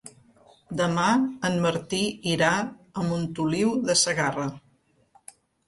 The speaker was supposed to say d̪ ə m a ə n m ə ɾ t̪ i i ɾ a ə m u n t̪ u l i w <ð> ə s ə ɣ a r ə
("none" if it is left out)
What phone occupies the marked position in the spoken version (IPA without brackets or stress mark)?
ð